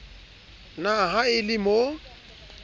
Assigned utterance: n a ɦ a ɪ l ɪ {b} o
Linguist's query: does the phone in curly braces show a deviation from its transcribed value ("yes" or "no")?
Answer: yes